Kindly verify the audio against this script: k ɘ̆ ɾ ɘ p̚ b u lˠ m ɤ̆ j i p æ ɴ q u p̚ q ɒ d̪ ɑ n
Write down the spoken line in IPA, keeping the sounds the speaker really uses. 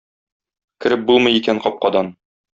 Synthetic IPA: k ɘ̆ ɾ ɘ p̚ b u lˠ m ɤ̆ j i k æ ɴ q ɒ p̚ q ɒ d̪ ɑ n